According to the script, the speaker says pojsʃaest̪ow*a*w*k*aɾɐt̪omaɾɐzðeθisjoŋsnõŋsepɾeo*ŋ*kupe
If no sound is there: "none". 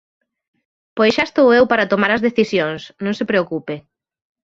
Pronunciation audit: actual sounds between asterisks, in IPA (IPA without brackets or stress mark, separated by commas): e, p, none